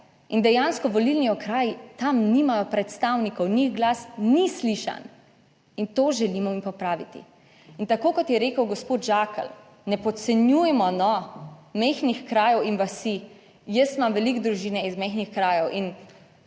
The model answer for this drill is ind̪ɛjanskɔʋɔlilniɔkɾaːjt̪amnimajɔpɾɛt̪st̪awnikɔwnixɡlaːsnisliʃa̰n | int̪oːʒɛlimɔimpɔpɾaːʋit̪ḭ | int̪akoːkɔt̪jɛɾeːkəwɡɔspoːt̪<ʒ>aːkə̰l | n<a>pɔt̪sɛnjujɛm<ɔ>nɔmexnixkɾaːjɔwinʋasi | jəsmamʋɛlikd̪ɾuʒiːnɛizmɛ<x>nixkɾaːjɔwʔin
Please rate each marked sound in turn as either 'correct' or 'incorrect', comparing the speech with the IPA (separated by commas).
correct, incorrect, correct, correct